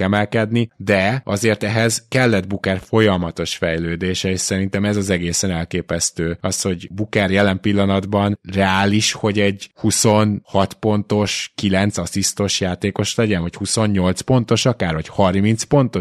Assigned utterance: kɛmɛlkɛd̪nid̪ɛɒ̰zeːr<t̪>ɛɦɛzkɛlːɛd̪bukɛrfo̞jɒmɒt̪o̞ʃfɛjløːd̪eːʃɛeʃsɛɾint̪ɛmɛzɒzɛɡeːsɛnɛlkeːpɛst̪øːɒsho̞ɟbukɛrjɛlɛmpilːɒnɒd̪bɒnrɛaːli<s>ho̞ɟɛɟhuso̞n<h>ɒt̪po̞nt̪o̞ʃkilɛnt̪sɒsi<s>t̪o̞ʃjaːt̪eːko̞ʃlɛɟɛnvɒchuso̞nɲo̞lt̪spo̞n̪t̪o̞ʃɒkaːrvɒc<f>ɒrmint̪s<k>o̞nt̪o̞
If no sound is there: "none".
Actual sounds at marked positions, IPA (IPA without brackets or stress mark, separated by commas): t̪, ʃ, h, s, h, p